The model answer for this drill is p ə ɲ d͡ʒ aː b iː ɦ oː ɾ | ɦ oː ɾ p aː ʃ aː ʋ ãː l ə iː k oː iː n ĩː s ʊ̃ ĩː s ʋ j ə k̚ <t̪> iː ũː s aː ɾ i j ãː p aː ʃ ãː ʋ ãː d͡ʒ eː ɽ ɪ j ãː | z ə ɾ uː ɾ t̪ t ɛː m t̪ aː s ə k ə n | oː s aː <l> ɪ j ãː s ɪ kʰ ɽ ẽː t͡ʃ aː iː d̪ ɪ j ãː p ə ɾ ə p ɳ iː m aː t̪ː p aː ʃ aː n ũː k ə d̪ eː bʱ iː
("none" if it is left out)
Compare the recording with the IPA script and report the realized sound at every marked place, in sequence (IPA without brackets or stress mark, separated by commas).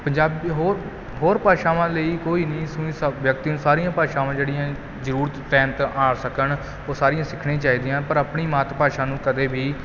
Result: t̪, ɾ